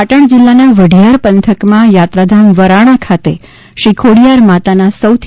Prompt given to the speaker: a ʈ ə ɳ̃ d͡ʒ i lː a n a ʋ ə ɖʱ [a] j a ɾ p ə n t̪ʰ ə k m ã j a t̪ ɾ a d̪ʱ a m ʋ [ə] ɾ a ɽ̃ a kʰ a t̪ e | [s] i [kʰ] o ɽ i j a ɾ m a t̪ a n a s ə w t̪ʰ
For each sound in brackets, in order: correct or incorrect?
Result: incorrect: i, correct, incorrect: ʃ, correct

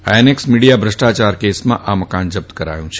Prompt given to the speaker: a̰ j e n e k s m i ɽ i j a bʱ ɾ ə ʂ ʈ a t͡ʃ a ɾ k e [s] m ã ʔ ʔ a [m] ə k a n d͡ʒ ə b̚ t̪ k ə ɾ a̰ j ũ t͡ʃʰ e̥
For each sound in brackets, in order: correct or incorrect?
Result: correct, correct

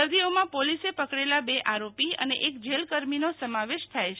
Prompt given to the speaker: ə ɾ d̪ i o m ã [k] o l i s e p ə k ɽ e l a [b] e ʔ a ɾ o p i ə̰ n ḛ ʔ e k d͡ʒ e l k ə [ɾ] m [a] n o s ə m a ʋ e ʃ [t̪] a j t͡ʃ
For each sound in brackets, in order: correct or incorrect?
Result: incorrect: p, correct, correct, incorrect: i, incorrect: t̪ʰ

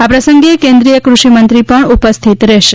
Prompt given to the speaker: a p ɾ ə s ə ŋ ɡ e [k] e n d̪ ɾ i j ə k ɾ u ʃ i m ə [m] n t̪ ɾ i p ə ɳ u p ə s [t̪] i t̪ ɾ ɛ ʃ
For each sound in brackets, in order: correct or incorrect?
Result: correct, incorrect: none, incorrect: t̪ʰ

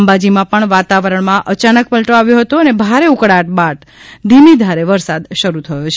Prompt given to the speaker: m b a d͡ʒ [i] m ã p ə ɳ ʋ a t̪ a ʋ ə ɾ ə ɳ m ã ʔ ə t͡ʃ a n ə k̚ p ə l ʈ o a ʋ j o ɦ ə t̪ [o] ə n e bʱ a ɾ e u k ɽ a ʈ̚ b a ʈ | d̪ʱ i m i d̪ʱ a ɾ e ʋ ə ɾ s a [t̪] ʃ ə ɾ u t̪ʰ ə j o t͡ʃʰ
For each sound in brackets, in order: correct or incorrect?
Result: correct, correct, incorrect: d̪

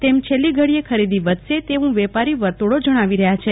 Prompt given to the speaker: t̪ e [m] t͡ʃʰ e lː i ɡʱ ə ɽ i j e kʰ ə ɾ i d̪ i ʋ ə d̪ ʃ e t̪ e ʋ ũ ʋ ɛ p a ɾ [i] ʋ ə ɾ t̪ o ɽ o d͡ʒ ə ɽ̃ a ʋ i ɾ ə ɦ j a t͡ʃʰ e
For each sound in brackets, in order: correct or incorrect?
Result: correct, correct

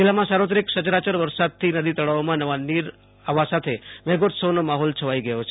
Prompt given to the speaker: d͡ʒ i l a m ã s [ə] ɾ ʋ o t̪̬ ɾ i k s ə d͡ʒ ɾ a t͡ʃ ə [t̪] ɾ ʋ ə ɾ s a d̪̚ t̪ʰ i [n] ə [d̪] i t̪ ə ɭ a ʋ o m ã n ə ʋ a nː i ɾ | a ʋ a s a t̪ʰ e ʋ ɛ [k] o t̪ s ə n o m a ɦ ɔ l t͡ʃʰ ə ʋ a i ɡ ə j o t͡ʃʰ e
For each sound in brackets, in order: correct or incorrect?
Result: incorrect: a, incorrect: none, correct, correct, incorrect: ɡ

